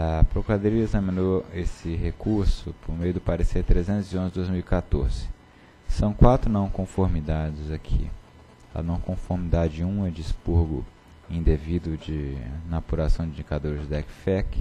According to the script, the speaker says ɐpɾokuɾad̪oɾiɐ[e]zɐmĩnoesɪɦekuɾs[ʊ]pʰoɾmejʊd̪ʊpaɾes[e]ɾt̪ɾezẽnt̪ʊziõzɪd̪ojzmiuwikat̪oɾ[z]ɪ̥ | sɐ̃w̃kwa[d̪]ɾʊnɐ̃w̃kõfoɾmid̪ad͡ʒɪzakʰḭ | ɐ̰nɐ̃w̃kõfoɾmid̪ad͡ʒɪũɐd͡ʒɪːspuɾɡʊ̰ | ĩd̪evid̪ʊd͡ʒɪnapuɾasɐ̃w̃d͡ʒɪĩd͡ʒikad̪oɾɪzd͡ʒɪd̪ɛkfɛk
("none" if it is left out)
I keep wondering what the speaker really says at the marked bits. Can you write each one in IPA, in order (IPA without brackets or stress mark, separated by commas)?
e, ʊ, e, z, t̪